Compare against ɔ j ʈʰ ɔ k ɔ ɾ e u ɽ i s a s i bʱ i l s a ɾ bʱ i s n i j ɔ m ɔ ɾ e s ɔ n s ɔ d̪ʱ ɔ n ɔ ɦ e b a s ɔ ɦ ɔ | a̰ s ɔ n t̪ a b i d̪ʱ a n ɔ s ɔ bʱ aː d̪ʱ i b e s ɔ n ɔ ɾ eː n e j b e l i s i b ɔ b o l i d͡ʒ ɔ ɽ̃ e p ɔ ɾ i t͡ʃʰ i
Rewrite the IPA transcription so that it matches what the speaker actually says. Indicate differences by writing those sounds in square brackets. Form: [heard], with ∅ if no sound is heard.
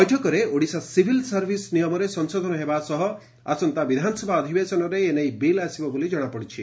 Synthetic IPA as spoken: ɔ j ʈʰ ɔ k ɔ ɾ e [o] ɽ i s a s i bʱ i l s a ɾ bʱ i s n i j ɔ m ɔ ɾ e s ɔ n s [o] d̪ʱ ɔ n ɔ ɦ e b a s ɔ ɦ ɔ | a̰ s ɔ n t̪ a b i d̪ʱ a n ɔ s ɔ bʱ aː d̪ʱ i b e s ɔ n ɔ ɾ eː n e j b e l [a] s i b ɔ b o l i d͡ʒ ɔ ɽ̃ [a] p ɔ [ɽ] i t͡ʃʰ i